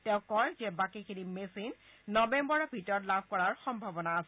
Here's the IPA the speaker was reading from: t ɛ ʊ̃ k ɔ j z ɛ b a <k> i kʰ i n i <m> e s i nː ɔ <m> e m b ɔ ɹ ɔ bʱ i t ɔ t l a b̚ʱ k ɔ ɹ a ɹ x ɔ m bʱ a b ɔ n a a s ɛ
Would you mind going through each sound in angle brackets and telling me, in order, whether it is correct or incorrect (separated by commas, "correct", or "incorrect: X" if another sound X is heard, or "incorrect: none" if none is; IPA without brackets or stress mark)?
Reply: correct, correct, incorrect: b